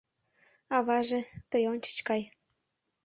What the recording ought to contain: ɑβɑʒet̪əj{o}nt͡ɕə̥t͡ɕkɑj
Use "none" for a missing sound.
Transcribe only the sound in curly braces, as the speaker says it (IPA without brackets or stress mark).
o